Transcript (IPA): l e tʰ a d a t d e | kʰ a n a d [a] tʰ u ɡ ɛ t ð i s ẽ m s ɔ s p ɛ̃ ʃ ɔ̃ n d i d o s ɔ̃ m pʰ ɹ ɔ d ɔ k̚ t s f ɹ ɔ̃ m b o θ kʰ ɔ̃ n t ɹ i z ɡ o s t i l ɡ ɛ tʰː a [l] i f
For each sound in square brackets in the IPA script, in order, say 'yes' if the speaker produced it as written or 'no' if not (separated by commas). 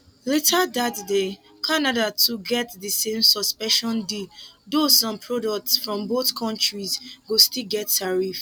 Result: yes, no